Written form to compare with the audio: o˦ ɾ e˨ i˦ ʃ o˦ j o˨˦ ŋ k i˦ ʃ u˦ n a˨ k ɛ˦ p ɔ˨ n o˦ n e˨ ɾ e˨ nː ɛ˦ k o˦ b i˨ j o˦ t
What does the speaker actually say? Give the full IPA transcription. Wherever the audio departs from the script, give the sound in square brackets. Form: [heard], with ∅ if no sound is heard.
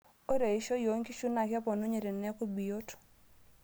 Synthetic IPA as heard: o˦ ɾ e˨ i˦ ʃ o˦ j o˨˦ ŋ k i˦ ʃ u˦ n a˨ k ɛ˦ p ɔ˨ n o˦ [ɲ] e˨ ɾ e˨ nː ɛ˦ k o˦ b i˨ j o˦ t